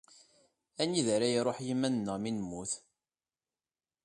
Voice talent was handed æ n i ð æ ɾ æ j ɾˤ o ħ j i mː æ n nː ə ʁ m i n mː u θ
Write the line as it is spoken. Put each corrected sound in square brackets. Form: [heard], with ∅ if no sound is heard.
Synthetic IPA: æ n i ð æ ɾ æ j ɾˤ o ħ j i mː æ n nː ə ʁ m i n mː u θ